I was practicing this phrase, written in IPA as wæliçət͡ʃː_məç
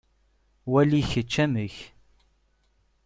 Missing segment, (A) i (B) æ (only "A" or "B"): B